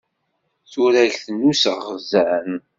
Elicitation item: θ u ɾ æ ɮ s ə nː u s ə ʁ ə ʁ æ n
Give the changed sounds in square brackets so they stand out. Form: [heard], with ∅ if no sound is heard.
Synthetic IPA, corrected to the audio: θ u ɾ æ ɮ [θ] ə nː u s ə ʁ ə [z] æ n